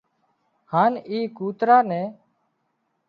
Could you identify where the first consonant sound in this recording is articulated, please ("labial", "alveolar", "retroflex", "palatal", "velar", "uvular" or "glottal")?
glottal